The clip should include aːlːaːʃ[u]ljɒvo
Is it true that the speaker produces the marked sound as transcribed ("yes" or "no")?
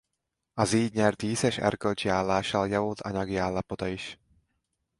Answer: no